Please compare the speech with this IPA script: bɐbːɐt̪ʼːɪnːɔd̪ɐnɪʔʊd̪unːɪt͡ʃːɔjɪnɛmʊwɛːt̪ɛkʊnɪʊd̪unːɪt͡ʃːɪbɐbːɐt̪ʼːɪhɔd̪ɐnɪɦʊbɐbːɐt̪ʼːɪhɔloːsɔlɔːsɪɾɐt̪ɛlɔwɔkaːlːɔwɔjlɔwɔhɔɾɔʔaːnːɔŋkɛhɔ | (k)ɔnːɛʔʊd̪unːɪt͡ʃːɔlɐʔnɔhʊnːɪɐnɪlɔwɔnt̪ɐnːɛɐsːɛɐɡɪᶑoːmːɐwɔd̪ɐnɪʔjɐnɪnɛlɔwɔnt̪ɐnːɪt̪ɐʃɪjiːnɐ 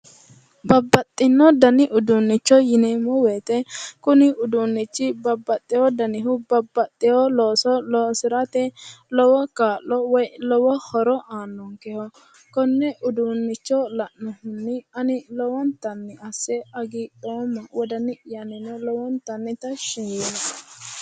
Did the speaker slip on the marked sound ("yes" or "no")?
no